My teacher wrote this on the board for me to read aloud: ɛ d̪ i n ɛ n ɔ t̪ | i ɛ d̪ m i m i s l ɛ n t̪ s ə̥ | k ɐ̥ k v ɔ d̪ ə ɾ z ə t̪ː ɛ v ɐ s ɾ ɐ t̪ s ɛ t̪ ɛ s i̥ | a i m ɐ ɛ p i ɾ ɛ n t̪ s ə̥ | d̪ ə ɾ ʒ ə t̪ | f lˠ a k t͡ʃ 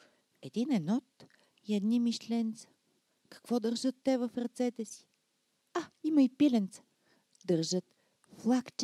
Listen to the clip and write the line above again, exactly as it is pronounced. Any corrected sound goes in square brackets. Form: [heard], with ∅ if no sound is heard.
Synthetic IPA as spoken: ɛ d̪ i n ɛ n ɔ t̪ | i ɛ d̪ [n] i m i [ʃ] l ɛ n t̪ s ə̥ | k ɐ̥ k v ɔ d̪ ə ɾ [ʒ] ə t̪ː ɛ v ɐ [f] ɾ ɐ t̪ s ɛ t̪ ɛ s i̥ | a i m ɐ [i] p i [l] ɛ n t̪ s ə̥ | d̪ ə ɾ ʒ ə t̪ | f lˠ a k t͡ʃ